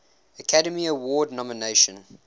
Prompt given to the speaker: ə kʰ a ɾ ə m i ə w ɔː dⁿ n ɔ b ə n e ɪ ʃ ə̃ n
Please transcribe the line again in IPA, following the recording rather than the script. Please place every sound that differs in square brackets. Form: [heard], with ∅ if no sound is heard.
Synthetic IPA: ə kʰ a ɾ ə m i ə w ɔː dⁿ n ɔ [m] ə n e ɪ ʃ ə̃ n